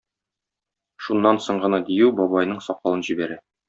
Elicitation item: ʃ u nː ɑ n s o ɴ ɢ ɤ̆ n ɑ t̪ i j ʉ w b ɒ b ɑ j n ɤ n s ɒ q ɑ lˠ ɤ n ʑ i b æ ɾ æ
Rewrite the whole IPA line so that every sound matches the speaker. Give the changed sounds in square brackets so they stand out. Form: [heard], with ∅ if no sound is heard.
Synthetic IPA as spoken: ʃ u nː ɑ n s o ɴ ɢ ɤ̆ n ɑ [d̪] i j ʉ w b ɒ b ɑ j n ɤ [ɴ] s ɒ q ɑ lˠ ɤ n ʑ i b æ ɾ æ